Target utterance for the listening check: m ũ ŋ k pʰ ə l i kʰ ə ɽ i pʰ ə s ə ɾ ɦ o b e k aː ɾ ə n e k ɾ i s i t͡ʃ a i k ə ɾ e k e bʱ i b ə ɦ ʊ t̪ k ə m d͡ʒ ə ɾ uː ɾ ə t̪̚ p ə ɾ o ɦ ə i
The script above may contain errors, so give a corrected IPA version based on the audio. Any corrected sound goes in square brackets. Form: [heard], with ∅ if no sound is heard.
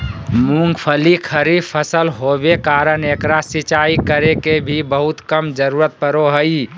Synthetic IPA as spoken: m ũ ŋ [ɡ] pʰ ə l i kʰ ə [ɾ] i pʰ ə s ə [l] ɦ o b e k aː ɾ ə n e k ɾ [a] s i t͡ʃ a i k ə ɾ e k e bʱ i b ə ɦ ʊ t̪ k ə m d͡ʒ ə ɾ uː ɾ ə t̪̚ p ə ɾ o ɦ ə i